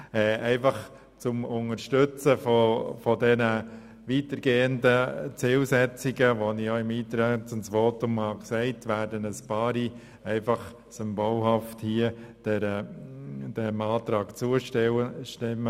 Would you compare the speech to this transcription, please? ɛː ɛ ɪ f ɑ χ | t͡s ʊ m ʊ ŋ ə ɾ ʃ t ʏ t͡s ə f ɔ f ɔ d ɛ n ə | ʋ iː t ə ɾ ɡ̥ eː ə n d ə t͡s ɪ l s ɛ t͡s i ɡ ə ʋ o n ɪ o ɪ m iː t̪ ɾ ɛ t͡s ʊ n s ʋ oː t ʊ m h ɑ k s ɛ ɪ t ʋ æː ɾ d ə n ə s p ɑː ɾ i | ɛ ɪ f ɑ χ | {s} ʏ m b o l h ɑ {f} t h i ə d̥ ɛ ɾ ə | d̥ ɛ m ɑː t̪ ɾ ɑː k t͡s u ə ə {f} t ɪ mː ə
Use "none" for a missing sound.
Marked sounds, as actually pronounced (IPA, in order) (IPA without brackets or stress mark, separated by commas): s, f, ʃ